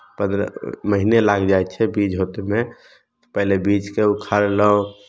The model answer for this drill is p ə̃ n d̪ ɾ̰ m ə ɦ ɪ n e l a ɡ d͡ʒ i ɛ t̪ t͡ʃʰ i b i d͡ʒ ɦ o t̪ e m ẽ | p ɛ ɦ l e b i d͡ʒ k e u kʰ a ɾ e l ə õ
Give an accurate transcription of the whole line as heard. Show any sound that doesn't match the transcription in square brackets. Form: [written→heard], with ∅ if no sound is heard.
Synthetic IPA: p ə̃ n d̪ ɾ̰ m ə ɦ [ɪ→i] n e l a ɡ d͡ʒ [i→a] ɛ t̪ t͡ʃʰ [i→ɛ] b i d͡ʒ ɦ o t̪ e m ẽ | p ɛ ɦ l e b i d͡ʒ k e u kʰ a ɾ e l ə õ